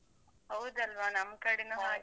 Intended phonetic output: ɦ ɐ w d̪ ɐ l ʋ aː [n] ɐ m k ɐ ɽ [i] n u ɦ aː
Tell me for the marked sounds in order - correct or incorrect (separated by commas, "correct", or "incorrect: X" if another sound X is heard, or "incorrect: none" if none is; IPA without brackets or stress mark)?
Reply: correct, correct